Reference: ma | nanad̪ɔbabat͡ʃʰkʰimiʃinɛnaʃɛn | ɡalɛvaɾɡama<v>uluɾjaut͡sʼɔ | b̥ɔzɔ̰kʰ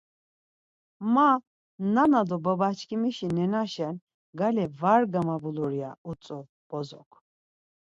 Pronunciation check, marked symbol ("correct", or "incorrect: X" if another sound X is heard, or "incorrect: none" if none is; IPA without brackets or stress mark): incorrect: b